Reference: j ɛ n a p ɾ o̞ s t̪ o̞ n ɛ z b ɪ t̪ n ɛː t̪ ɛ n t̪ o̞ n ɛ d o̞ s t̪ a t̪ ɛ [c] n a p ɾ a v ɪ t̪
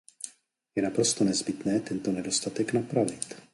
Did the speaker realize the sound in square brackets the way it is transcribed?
no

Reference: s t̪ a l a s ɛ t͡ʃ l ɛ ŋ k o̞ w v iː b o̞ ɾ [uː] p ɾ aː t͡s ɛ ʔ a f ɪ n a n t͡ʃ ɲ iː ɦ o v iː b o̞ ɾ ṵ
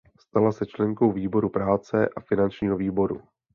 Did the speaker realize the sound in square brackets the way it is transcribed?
no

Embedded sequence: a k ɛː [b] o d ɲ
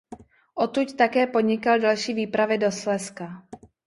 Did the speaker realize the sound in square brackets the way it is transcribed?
no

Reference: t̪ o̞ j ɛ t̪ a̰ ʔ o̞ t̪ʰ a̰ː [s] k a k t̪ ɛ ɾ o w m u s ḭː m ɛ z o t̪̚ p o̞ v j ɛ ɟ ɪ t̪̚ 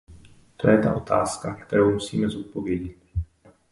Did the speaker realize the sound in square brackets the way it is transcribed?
yes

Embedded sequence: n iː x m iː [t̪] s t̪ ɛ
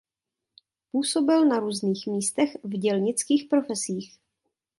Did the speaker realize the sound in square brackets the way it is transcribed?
no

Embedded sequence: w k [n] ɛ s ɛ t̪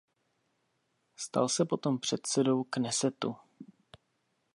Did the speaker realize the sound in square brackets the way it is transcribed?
yes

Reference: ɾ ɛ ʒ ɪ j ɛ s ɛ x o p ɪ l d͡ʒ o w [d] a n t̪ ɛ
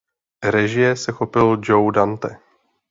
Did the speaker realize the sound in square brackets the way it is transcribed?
yes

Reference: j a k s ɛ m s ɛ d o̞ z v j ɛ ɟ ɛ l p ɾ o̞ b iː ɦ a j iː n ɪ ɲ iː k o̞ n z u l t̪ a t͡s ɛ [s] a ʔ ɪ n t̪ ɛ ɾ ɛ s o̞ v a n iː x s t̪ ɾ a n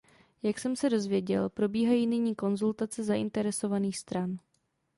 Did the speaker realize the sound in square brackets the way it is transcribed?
no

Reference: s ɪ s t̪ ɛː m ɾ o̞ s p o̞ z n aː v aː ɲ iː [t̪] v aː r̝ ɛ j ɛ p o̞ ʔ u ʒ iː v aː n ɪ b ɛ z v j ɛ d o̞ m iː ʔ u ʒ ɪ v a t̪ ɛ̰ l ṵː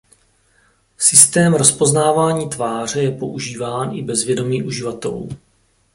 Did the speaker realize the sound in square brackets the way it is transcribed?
yes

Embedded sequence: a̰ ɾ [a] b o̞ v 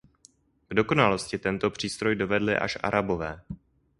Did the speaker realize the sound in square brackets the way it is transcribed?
yes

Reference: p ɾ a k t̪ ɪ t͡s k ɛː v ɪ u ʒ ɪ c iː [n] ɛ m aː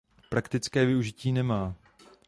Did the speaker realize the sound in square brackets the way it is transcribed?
yes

